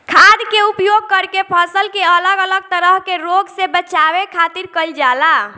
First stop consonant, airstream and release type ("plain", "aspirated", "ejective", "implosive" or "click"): aspirated